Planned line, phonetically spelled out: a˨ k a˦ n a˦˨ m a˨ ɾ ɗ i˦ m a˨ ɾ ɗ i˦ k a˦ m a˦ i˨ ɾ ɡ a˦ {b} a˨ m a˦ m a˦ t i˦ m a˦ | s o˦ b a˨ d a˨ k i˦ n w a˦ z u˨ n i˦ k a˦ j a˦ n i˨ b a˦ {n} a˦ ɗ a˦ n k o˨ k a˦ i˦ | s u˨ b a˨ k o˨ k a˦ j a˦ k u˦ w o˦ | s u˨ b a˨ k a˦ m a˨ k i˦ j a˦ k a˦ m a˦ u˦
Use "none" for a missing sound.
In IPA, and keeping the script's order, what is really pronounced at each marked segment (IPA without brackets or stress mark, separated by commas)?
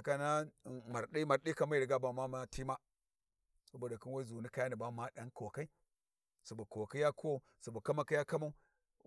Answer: b, m